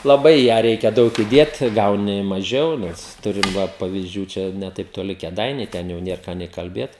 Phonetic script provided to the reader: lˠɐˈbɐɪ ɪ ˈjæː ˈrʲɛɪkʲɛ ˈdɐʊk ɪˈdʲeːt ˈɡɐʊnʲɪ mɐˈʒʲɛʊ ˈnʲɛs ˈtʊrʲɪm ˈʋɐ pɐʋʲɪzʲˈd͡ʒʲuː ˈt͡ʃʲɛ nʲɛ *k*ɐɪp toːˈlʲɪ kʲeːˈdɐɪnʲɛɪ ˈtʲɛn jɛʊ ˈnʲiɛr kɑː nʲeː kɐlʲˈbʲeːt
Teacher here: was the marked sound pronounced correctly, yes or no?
no